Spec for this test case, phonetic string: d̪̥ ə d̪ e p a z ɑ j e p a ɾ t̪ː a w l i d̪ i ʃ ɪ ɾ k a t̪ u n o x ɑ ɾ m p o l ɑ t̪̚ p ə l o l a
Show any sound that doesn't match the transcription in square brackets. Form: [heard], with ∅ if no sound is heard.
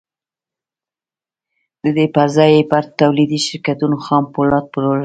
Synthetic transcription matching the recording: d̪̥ ə d̪ e p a z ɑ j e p a ɾ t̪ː a w l i d̪ i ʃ ɪ ɾ k a t̪ u n o x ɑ [∅] m p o l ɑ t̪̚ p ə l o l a